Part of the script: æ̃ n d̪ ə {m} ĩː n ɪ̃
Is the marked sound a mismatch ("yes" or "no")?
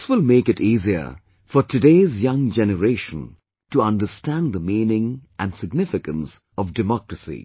no